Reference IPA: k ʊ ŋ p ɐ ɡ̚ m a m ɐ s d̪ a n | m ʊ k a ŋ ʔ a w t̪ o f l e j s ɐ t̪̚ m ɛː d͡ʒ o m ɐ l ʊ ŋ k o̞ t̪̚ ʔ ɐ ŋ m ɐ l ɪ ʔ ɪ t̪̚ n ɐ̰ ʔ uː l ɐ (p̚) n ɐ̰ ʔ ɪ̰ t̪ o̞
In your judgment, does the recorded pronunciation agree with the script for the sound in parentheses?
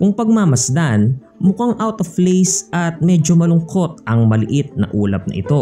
yes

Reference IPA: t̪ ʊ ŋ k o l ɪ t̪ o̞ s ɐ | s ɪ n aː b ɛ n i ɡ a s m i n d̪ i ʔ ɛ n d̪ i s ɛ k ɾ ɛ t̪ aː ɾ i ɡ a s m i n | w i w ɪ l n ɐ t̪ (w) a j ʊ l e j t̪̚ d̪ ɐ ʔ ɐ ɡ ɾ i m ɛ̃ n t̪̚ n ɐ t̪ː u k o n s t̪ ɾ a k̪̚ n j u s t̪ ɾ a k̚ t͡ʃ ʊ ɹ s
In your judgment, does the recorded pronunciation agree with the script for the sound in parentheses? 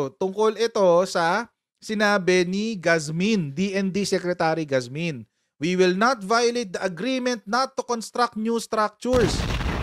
no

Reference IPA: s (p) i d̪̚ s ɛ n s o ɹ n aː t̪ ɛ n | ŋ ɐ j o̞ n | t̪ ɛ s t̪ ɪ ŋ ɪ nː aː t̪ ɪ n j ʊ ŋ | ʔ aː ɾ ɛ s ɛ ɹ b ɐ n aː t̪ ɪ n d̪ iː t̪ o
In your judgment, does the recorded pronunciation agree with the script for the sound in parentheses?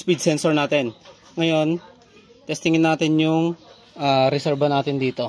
yes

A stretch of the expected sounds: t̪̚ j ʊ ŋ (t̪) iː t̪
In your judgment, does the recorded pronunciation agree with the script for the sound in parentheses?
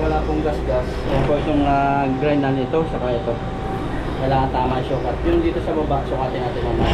no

